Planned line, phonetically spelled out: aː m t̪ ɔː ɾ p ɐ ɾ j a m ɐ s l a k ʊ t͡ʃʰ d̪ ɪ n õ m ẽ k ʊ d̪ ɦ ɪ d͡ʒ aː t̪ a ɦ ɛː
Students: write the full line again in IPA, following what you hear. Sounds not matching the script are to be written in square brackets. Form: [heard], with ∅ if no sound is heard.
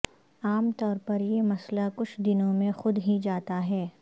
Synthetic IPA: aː m t̪ ɔː ɾ p ɐ ɾ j [e] m ɐ s l a k ʊ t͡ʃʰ d̪ ɪ n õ m ẽ [x] ʊ d̪ ɦ [i] d͡ʒ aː t̪ a ɦ ɛː